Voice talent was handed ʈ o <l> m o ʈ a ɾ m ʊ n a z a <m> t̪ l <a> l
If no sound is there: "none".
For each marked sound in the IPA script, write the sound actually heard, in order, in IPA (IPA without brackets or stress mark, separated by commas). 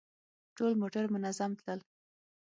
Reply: l, m, ə